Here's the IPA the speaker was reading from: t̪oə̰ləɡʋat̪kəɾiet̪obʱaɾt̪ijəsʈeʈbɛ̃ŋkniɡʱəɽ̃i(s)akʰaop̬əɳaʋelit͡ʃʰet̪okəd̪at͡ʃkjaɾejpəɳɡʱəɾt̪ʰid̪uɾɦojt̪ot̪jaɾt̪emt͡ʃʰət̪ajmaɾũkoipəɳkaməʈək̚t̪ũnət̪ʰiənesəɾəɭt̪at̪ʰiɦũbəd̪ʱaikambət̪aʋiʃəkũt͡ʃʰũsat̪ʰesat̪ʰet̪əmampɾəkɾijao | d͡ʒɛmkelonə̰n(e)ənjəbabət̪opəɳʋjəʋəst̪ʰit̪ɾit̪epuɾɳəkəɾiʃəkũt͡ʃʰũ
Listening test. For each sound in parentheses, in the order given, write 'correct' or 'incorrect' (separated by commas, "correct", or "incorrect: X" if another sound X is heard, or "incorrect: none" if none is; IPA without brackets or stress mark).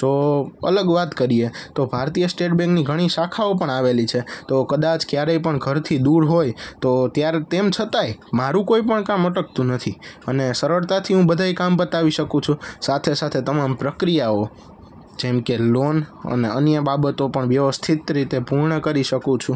incorrect: ʃ, correct